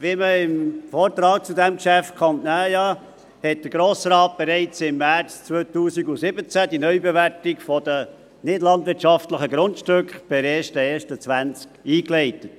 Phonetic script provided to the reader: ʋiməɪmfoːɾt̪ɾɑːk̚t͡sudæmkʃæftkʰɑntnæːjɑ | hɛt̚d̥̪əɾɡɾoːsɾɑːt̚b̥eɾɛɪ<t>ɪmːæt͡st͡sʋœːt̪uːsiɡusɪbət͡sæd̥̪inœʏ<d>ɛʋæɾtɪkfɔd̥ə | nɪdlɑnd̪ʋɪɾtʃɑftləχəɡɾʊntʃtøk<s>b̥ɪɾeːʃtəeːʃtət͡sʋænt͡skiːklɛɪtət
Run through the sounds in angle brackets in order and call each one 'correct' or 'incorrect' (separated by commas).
incorrect, incorrect, incorrect